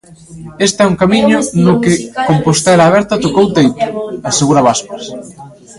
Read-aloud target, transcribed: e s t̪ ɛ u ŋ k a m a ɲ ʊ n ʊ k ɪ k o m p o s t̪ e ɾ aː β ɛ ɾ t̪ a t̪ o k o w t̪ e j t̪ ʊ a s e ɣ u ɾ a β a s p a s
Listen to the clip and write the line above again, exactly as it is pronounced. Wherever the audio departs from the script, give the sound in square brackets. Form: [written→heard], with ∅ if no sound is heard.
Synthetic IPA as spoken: e s t̪ ɛ u ŋ k a m [a→i] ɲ ʊ n ʊ k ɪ k o m p o s t̪ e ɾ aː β ɛ ɾ t̪ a t̪ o k o w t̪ e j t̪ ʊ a s e ɣ u ɾ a β a s p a s